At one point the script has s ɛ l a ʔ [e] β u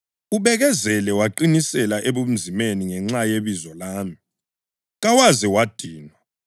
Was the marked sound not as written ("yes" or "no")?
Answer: no